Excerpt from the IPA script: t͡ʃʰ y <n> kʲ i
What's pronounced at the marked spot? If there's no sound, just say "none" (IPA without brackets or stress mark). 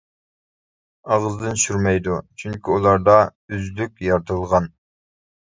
ŋ